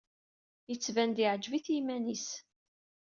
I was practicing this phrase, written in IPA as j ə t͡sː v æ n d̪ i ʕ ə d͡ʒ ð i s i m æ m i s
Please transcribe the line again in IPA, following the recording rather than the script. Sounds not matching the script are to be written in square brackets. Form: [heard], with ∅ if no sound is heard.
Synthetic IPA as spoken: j ə t͡sː v æ n d̪ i ʕ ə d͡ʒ [v] i [θ] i m æ [n] i s